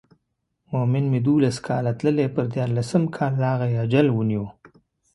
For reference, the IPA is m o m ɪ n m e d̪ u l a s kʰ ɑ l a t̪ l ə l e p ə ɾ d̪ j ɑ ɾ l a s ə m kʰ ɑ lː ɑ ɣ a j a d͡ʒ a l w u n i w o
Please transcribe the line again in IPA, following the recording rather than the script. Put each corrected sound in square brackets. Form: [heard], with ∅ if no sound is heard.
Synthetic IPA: m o m ɪ n m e d̪ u l a s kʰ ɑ l a t̪ l ə l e p ə ɾ d̪ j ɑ ɾ l a s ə m kʰ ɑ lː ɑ ɣ a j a d͡ʒ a l w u n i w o